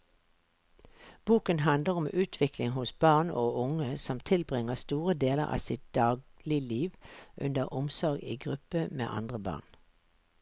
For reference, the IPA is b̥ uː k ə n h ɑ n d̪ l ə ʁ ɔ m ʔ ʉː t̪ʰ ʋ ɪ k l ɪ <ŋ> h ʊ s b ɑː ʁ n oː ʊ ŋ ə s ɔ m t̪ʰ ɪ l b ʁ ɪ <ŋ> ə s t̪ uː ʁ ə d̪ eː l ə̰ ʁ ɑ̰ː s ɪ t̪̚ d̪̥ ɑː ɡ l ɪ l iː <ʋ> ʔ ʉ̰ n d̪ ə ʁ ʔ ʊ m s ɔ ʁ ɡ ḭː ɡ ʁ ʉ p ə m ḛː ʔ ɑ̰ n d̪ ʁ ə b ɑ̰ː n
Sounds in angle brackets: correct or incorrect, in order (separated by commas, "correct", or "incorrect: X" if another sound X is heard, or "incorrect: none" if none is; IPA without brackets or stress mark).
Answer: correct, correct, correct